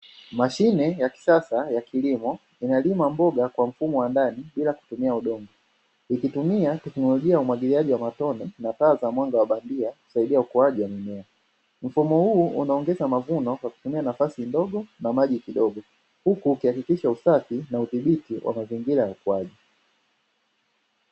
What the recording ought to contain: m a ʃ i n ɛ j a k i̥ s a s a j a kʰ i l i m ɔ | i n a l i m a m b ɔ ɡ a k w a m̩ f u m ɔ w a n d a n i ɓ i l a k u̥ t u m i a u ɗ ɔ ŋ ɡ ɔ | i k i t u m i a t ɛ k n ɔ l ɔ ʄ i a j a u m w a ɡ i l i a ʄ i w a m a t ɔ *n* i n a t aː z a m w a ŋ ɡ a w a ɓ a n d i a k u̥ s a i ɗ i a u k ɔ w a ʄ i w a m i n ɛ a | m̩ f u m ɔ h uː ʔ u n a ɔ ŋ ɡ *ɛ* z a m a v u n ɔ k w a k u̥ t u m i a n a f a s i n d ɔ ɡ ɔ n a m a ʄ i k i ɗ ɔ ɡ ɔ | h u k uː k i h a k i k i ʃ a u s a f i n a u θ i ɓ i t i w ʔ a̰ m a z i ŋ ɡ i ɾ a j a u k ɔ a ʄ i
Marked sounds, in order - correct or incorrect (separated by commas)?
correct, correct